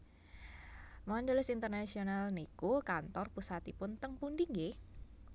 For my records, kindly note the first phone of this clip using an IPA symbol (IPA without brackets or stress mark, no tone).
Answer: m